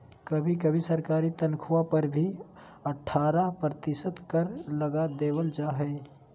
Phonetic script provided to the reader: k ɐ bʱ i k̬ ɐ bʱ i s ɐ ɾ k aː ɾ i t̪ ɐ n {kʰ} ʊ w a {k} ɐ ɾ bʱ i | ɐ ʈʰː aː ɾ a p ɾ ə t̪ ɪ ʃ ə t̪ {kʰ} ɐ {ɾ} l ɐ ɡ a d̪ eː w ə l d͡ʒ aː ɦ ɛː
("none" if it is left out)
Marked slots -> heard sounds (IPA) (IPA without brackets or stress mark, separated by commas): kʰ, p, k, ɾ